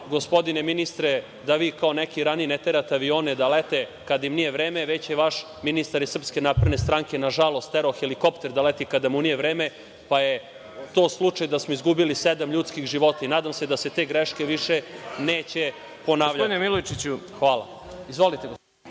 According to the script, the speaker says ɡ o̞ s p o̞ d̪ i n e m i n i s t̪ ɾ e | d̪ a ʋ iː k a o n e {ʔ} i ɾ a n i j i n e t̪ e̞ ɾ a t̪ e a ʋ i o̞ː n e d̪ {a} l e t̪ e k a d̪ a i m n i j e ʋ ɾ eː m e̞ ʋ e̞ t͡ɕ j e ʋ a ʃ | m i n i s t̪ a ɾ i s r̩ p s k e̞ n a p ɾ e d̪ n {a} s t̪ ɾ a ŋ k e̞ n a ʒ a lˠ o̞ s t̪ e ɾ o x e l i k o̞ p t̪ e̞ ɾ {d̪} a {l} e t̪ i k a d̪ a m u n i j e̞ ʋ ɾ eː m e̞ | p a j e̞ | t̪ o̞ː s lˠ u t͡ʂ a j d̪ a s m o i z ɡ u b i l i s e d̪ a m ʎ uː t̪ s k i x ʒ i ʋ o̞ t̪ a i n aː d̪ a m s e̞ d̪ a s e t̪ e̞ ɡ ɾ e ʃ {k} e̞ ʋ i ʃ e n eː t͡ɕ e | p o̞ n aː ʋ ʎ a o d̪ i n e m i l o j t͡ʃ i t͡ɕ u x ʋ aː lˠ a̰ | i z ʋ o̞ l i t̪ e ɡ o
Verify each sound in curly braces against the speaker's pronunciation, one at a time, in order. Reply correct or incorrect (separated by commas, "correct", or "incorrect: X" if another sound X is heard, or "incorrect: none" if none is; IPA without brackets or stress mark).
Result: incorrect: k, correct, incorrect: e, correct, correct, correct